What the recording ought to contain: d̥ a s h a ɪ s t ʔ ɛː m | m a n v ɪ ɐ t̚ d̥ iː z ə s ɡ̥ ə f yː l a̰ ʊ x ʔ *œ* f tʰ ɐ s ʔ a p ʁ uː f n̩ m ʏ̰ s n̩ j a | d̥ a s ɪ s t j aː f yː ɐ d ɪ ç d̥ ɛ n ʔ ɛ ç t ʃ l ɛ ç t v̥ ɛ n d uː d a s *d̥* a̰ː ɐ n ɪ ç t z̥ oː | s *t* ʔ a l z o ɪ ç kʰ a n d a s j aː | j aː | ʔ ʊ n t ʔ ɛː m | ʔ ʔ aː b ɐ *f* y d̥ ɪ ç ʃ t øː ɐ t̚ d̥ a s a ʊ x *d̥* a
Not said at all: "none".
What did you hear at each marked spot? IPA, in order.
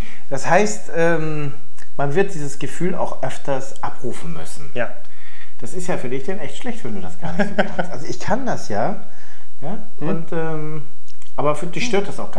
œ, ɡ̥, t, f, ɡ̥

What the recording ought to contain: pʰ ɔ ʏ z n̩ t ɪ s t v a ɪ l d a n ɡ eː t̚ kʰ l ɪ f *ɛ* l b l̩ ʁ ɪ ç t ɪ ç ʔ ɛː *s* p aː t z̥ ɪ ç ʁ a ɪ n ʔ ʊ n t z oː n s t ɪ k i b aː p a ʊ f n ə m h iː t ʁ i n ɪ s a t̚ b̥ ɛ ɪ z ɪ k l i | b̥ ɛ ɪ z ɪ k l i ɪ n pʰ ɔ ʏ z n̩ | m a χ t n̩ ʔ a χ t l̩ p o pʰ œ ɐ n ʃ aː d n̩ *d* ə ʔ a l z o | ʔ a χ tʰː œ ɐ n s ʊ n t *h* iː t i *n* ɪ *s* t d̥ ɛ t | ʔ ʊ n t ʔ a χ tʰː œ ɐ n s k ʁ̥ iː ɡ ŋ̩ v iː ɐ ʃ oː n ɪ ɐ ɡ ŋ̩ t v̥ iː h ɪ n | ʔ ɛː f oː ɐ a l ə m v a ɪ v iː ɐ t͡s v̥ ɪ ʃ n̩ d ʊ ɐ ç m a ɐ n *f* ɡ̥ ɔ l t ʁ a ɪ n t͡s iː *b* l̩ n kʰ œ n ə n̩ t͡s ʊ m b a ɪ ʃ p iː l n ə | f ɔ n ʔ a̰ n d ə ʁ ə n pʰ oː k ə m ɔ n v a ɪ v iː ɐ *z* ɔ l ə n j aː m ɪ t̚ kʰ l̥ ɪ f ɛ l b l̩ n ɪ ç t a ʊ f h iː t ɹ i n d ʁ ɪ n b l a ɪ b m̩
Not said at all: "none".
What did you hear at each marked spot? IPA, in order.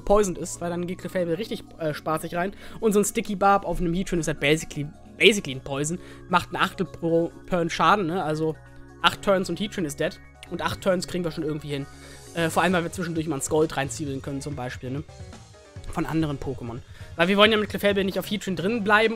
ɛ, ʃ, n, h, n, s, s, b, v

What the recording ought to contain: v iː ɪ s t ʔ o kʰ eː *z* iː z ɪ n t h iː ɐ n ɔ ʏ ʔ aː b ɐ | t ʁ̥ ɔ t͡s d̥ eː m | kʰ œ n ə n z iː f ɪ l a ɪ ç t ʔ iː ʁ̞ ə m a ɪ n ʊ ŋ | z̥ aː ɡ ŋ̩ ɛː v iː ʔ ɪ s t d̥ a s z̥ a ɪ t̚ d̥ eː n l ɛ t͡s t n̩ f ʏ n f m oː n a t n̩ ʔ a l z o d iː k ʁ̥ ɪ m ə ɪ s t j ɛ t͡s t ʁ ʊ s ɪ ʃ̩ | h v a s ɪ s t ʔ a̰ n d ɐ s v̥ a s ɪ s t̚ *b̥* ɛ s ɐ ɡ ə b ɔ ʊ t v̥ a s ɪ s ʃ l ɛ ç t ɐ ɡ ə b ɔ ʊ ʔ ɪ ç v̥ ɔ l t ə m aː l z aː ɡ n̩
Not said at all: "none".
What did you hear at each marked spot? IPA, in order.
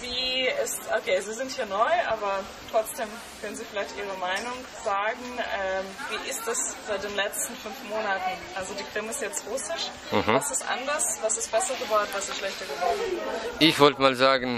z, b̥

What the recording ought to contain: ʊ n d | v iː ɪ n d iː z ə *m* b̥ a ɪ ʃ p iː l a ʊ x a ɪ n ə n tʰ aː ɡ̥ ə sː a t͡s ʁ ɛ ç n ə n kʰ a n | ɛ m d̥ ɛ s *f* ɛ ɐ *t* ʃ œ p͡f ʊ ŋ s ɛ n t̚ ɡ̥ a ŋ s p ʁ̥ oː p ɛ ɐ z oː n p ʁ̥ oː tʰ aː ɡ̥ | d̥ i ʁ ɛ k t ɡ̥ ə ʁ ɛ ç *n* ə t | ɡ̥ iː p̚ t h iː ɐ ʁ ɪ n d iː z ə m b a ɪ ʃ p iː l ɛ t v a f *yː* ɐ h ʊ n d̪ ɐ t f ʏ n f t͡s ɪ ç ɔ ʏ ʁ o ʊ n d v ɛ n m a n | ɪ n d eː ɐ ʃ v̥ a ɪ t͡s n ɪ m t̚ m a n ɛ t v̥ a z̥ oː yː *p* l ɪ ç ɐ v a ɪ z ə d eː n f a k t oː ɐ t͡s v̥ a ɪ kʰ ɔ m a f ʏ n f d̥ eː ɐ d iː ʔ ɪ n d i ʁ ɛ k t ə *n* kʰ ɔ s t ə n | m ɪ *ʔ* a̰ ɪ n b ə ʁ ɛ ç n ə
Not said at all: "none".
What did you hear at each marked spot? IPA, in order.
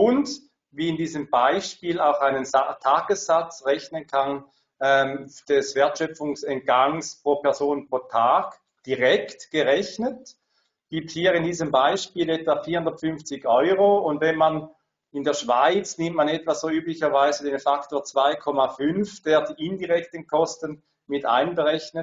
m, v, t, n, iː, p, n, t

